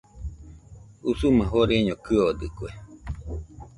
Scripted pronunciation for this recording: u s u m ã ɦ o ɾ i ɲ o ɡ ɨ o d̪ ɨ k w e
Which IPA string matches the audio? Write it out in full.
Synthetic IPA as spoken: u s u m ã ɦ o ɾ e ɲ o k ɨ o d̪ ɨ k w e

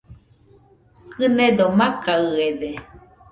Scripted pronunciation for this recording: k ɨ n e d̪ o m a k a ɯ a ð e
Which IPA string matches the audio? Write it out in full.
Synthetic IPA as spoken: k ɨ n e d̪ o m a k a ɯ e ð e

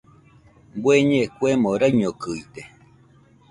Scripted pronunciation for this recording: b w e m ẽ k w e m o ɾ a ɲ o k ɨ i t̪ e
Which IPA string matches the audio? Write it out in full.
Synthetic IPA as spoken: b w e ɲ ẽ k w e m o ɾ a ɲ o k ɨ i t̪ e

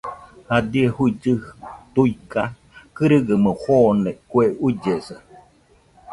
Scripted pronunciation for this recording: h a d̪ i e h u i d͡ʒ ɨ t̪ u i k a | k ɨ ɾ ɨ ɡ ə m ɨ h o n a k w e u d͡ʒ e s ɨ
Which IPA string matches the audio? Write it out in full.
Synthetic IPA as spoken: h a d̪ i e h u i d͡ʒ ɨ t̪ u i k a | k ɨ ɾ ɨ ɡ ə m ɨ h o n e k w e u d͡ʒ e s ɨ

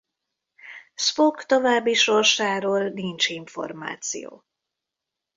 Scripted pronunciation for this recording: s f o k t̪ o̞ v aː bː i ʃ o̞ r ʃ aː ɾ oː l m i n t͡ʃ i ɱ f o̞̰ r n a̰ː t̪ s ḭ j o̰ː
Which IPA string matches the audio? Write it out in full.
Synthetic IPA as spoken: s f o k t̪ o̞ v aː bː i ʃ o̞ r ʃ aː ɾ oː l n i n t͡ʃ i ɱ f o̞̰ r m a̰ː t̪ s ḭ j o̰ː

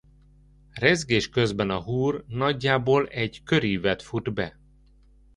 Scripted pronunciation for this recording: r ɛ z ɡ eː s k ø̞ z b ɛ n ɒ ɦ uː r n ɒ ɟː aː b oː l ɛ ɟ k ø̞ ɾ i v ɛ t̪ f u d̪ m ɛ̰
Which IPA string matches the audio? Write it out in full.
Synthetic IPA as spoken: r ɛ z ɡ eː ʃ k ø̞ z b ɛ n ɒ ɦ uː r n ɒ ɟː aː b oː l ɛ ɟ k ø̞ ɾ i v ɛ t̪ f u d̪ b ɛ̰

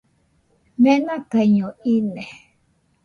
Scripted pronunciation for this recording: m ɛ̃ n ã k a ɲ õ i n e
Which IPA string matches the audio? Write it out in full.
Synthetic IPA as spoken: m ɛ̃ n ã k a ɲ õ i n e

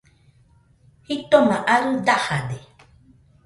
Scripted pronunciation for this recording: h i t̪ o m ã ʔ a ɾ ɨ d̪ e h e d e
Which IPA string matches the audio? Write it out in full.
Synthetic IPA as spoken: h i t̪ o m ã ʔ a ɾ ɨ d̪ a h a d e

